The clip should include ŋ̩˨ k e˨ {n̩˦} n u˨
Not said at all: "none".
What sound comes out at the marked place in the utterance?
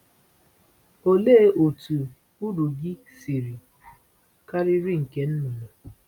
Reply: n̩˦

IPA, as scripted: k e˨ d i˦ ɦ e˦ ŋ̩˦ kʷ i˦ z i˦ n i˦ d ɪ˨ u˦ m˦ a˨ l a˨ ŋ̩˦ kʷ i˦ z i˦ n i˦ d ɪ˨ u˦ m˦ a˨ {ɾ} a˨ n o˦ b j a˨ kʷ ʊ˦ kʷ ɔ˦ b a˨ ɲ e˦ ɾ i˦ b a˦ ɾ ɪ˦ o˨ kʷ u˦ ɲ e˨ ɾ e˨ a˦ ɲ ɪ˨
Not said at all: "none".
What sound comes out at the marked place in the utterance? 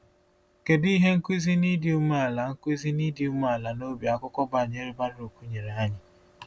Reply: l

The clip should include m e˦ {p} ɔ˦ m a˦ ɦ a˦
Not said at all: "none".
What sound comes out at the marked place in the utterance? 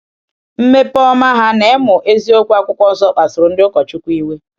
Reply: p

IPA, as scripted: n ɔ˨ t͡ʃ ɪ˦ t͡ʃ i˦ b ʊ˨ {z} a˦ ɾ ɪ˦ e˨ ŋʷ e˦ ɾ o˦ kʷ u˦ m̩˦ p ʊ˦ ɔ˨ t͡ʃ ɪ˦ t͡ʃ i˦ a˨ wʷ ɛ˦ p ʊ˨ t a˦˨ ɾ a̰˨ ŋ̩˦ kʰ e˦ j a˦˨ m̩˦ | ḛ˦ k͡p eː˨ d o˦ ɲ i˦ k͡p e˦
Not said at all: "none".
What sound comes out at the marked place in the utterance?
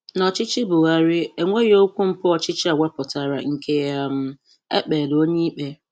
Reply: ɣ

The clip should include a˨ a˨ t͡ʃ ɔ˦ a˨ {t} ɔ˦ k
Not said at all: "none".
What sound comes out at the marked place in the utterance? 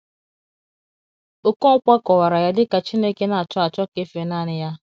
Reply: t͡ʃ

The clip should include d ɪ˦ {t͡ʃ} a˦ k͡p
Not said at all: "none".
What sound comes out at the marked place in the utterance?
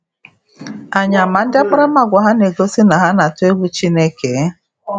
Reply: none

